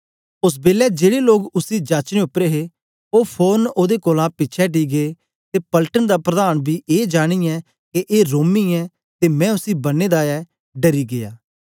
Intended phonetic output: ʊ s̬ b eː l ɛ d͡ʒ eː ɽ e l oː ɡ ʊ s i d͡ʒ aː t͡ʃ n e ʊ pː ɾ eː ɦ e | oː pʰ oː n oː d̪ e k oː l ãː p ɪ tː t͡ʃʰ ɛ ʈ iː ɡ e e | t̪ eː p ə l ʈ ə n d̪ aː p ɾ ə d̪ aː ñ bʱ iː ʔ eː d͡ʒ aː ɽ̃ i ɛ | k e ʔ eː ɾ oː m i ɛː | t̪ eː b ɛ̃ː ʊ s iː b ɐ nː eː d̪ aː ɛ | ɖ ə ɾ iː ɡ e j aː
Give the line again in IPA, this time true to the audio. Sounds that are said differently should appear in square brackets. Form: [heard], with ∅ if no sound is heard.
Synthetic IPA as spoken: ʊ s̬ b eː l ɛ d͡ʒ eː ɽ e l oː ɡ ʊ s i d͡ʒ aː t͡ʃ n e ʊ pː ɾ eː ɦ e | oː pʰ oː n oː d̪ e k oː l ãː p ɪ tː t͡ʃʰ ɛ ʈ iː ɡ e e | t̪ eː p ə l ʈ ə n d̪ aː p ɾ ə d̪ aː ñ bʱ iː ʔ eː d͡ʒ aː ɽ̃ i ɛ | k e ʔ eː ɾ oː m i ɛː | t̪ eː [m] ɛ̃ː ʊ s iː b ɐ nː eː d̪ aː ɛ | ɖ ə ɾ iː ɡ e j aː